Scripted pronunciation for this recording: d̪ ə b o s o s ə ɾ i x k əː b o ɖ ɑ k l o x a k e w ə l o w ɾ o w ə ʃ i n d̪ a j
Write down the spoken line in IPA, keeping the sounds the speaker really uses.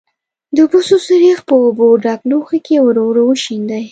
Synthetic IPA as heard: d̪ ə b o s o s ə ɾ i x p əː b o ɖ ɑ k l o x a k e w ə ɾ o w ɾ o w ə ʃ i n d̪ a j